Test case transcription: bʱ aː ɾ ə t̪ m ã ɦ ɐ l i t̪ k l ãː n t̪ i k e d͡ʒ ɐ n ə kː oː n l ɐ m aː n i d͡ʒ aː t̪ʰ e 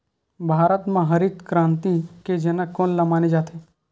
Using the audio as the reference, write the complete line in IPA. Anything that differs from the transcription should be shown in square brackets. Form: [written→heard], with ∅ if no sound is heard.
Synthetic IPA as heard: bʱ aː ɾ ə t̪ m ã ɦ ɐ [l→ɾ] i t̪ k [l→ɾ] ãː n t̪ i k e d͡ʒ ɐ n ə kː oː n l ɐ m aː n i d͡ʒ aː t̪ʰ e